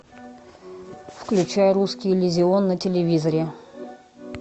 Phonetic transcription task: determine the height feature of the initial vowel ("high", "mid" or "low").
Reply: high